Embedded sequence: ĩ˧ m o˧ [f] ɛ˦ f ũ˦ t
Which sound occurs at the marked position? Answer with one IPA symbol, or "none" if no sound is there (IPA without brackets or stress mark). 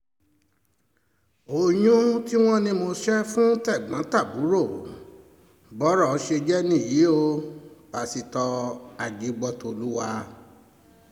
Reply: ʃ